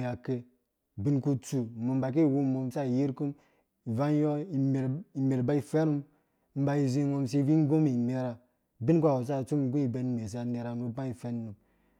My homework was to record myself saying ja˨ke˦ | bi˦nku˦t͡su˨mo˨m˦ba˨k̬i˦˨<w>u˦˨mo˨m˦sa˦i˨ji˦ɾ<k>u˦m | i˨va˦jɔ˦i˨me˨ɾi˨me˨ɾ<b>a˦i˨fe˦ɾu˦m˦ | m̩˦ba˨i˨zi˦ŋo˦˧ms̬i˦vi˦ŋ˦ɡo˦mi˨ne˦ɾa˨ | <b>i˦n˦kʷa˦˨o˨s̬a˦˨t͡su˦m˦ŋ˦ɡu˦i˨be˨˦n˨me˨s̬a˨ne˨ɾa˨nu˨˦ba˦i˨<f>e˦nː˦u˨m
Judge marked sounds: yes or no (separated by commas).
yes, yes, yes, yes, yes